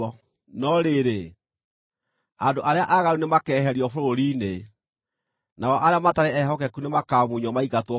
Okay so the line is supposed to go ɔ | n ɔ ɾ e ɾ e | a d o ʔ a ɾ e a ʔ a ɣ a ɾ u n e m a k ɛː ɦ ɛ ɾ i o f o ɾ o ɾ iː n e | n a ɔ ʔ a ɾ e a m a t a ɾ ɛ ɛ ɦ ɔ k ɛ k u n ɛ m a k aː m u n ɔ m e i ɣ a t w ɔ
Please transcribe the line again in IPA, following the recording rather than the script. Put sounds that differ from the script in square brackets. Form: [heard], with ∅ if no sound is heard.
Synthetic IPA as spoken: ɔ | n ɔ ɾ e ɾ e | a d o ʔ a ɾ e a ʔ a ɣ a ɾ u n e m a k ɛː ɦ ɛ ɾ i [ɔ] f o ɾ o ɾ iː n e | n a ɔ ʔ a ɾ e a m a t a ɾ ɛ ɛ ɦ ɔ k ɛ k u n [e] m a k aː m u [ɲ] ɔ m [a] i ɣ a t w ɔ